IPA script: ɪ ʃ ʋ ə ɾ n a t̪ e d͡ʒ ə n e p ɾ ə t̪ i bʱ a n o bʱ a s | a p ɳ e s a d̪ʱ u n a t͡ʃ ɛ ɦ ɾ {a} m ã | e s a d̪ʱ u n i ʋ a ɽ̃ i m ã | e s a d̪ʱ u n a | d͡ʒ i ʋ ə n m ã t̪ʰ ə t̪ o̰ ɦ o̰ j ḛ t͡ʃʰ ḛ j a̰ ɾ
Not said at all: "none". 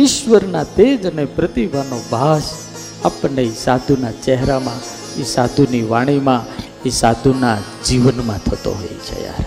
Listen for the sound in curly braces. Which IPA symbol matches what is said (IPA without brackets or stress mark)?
a